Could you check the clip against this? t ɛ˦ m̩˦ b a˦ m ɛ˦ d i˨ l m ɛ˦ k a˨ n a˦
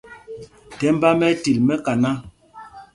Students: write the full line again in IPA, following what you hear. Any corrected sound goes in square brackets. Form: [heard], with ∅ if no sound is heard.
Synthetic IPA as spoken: t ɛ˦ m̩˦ b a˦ m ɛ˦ [t] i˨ l m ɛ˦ k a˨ n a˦